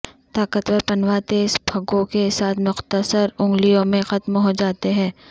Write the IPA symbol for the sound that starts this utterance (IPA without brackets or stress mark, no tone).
t̪